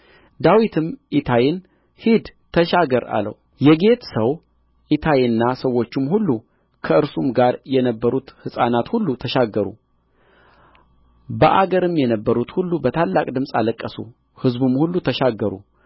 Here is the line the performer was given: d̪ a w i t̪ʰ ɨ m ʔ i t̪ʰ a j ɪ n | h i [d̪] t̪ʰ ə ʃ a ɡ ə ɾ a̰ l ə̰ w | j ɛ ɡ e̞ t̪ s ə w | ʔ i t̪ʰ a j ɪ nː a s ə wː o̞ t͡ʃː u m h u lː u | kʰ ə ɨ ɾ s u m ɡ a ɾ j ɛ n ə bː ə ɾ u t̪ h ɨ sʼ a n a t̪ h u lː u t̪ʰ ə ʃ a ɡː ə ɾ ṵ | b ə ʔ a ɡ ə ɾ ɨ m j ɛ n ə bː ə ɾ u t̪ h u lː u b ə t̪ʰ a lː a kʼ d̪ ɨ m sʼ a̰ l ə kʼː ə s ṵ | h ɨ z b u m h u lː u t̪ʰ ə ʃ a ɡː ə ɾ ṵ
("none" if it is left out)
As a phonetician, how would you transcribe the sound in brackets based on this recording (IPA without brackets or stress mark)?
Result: d̪